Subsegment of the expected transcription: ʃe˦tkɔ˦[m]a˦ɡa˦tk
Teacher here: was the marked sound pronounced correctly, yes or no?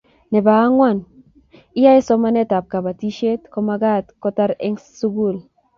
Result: yes